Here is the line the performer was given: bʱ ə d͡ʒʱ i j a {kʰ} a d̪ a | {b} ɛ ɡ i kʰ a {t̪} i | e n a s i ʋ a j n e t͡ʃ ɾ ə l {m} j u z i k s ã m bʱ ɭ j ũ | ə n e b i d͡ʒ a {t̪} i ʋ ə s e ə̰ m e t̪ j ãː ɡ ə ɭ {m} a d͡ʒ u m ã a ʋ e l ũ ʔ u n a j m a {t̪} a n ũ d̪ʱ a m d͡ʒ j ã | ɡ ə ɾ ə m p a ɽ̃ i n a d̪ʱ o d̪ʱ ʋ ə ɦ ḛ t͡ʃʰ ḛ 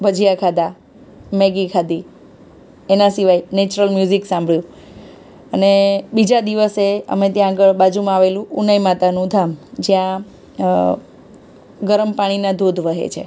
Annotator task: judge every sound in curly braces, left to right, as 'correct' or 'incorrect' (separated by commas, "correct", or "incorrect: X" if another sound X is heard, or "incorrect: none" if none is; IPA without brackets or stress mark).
correct, incorrect: m, incorrect: d̪, correct, incorrect: d̪, incorrect: b, correct